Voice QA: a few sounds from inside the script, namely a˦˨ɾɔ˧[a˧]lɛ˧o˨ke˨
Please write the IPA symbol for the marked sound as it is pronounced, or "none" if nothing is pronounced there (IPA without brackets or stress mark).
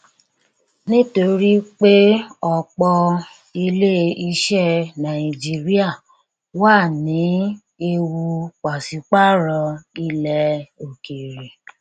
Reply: i˧